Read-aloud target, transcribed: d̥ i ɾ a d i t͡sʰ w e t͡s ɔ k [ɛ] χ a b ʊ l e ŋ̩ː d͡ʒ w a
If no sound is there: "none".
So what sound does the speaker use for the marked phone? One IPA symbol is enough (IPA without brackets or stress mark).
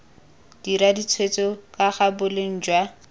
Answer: a